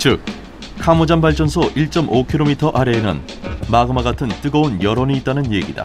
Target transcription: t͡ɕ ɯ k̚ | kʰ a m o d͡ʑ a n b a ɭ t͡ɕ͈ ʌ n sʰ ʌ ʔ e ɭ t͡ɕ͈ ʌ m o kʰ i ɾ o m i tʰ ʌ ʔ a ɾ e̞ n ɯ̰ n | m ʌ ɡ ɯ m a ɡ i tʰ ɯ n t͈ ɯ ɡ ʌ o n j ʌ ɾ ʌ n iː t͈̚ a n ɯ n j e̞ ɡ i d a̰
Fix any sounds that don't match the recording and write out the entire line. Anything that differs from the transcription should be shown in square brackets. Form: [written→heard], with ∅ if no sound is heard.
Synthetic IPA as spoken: t͡ɕ ɯ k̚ | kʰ a m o d͡ʑ a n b a ɭ t͡ɕ͈ ʌ n sʰ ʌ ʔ [e→i] ɭ t͡ɕ͈ ʌ m o kʰ i ɾ o m i tʰ ʌ ʔ a ɾ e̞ n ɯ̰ n | m [ʌ→a] ɡ ɯ m a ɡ [i→a] tʰ ɯ n t͈ ɯ ɡ ʌ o n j ʌ ɾ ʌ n iː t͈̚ a n ɯ n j e̞ ɡ i d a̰